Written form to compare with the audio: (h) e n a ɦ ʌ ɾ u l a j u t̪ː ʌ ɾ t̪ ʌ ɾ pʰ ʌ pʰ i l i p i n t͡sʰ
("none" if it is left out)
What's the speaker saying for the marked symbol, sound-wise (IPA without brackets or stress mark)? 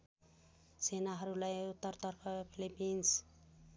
s